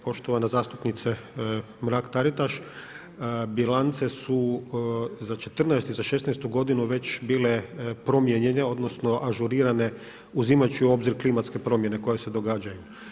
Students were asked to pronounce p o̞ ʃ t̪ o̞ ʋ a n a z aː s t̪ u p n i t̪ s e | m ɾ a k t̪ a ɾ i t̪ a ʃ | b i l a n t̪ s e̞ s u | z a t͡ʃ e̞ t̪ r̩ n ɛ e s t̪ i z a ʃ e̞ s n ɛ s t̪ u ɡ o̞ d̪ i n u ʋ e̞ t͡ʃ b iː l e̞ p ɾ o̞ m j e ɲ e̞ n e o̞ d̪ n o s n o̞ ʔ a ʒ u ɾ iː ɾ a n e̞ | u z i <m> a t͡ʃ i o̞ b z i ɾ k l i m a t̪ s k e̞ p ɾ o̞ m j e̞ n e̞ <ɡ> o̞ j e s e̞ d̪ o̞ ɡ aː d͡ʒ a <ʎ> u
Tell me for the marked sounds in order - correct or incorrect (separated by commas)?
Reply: correct, incorrect, incorrect